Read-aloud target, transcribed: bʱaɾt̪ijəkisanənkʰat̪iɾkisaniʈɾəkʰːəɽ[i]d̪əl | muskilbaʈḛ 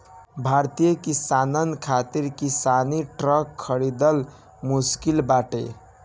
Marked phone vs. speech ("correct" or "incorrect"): correct